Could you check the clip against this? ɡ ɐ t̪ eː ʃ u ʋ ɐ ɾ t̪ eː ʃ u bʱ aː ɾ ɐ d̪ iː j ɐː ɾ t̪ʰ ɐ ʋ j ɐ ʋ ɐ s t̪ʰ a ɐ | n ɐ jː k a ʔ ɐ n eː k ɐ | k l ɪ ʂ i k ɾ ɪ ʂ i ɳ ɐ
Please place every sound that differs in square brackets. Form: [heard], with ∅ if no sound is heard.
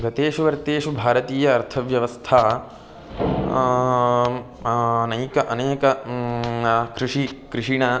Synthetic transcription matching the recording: ɡ ɐ t̪ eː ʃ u ʋ ɐ ɾ t̪ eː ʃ u bʱ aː ɾ ɐ [t̪] iː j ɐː ɾ t̪ʰ ɐ ʋ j ɐ ʋ ɐ s t̪ʰ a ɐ | n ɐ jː k [ɐ] ʔ ɐ n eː k ɐ | k [ɾ] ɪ ʂ i k ɾ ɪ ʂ i ɳ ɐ